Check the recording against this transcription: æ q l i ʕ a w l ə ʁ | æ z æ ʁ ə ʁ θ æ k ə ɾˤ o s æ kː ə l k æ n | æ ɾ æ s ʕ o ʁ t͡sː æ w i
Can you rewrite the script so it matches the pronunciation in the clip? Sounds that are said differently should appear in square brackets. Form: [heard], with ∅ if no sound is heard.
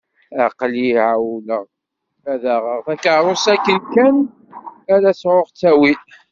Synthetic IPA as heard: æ q l i ʕ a w l ə ʁ | æ [ð] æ ʁ ə ʁ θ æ k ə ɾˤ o s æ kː ə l k æ n | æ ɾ æ s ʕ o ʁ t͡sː æ w i